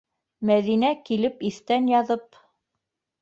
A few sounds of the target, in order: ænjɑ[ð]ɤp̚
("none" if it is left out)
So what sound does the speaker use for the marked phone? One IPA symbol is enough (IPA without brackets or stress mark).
ð